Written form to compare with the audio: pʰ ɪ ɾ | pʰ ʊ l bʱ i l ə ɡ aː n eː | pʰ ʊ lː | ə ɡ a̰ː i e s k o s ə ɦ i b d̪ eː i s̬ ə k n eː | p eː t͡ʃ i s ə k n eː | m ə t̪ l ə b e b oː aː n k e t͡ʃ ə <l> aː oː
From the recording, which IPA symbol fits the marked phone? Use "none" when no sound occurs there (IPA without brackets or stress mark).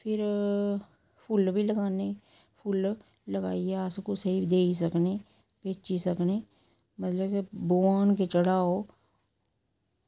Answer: ɽ